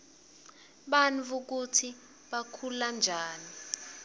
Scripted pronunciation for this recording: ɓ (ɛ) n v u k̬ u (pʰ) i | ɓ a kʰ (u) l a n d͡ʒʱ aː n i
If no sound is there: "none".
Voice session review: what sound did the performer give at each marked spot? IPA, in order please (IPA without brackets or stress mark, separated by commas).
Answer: a, tʰ, u